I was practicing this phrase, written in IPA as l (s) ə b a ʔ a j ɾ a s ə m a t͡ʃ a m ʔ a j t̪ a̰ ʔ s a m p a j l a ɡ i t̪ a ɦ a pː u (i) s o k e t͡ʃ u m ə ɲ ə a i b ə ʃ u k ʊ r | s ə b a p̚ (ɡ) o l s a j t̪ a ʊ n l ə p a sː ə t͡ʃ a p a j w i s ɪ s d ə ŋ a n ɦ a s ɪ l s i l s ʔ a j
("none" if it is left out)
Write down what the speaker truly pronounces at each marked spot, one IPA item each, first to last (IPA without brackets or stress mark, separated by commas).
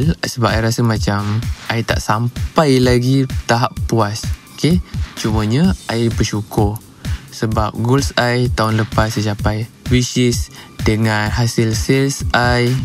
s, a, ɡ